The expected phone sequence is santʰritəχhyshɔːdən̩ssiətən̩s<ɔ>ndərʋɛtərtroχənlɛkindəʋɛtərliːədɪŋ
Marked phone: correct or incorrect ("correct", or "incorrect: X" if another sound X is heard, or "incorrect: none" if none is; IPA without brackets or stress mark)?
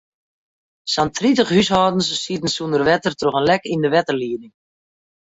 incorrect: u